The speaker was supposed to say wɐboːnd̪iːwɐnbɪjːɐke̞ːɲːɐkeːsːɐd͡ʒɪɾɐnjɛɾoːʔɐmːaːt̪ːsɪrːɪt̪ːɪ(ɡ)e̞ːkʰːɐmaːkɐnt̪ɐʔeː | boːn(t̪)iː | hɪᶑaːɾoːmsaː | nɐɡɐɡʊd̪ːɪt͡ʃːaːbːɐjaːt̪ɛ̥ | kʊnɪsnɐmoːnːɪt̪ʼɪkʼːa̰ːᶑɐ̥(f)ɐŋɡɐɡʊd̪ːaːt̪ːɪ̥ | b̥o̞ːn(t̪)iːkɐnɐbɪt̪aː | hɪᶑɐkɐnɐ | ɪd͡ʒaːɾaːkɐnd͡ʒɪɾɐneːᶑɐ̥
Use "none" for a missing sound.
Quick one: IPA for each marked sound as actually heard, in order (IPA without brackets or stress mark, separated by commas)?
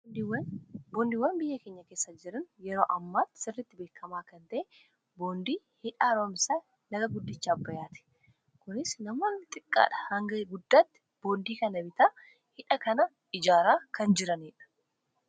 b, d̪, h, d̪